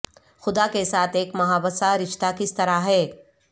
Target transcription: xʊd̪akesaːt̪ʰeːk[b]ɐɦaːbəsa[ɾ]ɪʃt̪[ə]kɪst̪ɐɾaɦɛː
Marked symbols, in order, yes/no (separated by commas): no, yes, no